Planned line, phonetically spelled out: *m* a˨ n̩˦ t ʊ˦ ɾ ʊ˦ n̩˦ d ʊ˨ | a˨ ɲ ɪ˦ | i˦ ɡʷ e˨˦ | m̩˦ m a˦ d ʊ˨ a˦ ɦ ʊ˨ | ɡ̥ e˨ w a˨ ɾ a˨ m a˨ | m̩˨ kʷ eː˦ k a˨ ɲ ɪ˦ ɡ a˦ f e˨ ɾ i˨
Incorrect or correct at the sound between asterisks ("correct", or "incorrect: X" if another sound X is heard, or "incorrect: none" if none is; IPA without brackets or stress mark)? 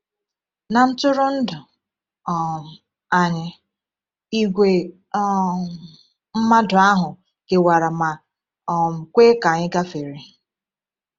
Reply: incorrect: n